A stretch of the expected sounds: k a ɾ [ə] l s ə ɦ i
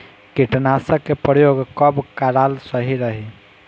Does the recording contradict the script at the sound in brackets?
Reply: yes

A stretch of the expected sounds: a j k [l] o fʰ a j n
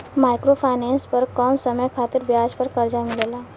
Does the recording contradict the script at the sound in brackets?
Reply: yes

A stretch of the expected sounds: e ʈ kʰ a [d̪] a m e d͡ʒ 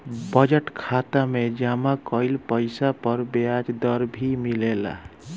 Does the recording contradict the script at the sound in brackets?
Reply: yes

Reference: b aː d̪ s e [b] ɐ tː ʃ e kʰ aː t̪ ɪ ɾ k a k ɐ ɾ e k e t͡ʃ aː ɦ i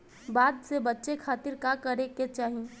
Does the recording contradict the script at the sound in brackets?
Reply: no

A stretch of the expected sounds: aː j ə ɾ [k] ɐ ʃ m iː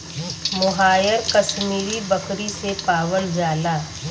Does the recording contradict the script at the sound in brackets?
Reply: no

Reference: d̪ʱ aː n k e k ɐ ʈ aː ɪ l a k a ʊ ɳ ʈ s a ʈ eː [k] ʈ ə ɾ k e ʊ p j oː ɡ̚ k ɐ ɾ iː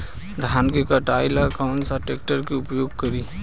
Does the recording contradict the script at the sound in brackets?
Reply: no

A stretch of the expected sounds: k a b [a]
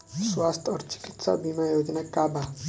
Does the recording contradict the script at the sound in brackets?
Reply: no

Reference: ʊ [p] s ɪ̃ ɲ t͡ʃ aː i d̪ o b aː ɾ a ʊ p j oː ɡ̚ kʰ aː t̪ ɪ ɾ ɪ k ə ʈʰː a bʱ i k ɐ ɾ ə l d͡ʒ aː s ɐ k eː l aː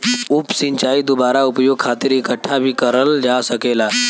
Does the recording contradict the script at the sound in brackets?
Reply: no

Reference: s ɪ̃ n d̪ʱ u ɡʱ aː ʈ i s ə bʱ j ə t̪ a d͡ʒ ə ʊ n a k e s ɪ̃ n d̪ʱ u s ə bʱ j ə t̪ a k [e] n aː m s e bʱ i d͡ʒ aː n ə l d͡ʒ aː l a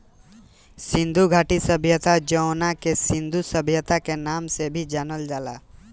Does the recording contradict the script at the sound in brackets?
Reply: no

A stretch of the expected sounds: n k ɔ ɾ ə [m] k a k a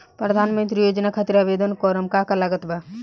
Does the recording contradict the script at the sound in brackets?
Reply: no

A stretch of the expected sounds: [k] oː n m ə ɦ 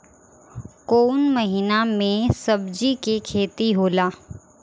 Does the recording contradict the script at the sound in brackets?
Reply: no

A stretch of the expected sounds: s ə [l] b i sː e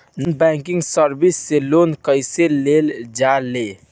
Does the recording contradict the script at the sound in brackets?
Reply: yes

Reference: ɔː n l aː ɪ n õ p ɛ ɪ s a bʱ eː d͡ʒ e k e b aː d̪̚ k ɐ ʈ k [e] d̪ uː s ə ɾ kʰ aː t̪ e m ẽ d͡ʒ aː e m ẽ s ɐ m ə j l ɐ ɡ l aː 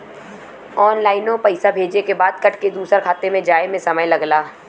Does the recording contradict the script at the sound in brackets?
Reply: no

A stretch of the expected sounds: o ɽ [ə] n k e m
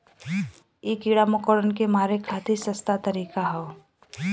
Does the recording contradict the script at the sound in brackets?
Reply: no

